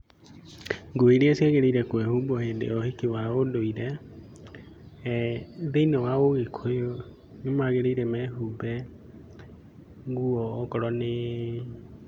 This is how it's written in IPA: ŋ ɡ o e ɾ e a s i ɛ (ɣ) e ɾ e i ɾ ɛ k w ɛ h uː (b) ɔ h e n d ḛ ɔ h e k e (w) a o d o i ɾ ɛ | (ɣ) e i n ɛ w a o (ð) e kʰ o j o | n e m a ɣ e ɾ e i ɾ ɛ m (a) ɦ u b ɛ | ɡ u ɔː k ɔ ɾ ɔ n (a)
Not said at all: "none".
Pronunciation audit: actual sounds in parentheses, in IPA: ɣ, b, w, ð, ɣ, ɛ, e

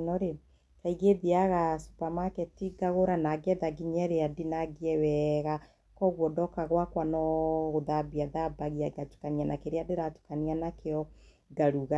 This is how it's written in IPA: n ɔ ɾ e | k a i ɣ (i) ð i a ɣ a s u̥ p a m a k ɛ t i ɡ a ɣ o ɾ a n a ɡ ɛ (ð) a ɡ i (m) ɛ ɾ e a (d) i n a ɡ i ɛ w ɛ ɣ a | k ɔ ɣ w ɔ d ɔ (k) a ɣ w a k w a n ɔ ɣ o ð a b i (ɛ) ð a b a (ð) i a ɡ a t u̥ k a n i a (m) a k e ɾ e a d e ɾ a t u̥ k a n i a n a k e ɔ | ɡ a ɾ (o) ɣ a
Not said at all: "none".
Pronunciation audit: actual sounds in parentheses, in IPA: e, ð, ɲ, d, k, a, ɣ, n, u

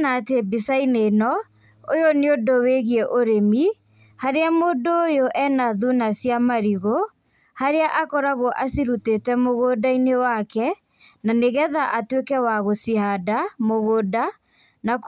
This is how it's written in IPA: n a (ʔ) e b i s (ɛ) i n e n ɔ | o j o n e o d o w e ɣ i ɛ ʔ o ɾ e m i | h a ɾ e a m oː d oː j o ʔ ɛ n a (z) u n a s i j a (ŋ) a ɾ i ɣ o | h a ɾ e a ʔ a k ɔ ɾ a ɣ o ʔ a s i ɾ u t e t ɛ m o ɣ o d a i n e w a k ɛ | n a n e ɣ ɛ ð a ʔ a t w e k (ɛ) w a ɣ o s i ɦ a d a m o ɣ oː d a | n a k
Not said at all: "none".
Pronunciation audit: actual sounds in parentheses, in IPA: t, a, ð, m, ɛ

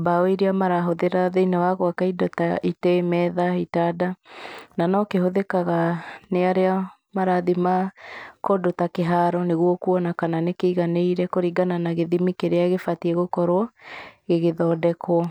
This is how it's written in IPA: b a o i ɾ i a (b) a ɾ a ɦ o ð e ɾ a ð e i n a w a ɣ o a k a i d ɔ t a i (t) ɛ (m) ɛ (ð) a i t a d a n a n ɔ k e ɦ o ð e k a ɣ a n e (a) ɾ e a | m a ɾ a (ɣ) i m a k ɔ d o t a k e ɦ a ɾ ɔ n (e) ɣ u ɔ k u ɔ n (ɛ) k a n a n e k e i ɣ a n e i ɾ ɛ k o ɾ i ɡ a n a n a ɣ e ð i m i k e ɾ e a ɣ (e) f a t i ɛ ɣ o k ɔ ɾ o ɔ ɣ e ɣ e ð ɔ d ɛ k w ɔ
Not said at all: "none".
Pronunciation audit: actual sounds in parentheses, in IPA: m, t, m, ð, a, ð, e, a, e

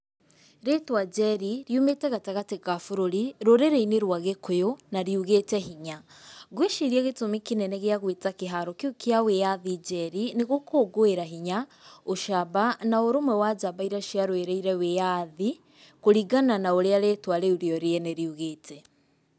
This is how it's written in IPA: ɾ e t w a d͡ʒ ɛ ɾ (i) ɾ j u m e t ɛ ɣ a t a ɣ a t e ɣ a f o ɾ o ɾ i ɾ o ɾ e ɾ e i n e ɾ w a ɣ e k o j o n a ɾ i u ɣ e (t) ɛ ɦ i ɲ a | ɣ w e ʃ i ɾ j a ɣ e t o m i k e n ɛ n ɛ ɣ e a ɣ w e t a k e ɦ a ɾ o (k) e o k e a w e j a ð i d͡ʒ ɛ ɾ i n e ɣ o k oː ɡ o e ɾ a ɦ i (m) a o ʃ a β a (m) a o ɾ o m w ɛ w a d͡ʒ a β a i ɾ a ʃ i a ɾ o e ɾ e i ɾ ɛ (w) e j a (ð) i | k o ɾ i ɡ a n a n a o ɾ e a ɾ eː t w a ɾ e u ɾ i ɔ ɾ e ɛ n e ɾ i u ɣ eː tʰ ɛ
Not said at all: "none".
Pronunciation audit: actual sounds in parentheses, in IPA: i, t, k, ɲ, n, w, ð

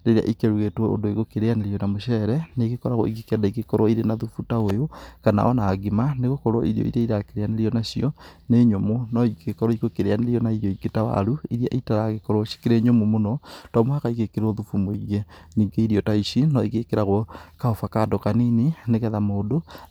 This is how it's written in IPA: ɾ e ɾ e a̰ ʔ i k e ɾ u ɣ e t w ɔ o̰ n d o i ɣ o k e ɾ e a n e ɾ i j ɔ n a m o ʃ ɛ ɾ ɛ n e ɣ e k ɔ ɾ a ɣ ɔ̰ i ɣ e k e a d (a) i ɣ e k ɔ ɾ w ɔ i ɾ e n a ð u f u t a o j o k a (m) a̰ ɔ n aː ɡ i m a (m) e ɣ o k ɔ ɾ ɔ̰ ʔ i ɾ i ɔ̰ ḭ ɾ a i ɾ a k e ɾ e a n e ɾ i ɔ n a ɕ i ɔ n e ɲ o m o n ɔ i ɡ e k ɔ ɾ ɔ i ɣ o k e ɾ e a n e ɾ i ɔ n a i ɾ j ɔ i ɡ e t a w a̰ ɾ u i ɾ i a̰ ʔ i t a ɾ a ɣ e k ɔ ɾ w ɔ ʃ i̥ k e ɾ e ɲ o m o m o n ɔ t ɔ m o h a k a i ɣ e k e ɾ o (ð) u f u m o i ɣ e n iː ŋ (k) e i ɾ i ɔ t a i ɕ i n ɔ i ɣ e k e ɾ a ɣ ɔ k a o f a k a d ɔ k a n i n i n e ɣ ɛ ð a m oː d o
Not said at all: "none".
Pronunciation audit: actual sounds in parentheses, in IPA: a, n, n, ð, ɡ

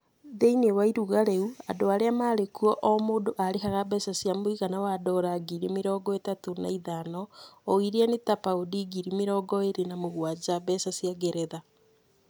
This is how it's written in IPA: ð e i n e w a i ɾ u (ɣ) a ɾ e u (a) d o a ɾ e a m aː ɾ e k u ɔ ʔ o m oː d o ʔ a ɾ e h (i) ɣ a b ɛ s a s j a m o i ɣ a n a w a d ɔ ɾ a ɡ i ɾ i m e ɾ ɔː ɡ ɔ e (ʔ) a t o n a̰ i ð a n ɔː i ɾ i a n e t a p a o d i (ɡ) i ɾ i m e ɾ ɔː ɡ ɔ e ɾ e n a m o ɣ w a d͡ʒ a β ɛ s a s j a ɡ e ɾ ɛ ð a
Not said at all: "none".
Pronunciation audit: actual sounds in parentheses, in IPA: ɣ, a, a, t, ɡ

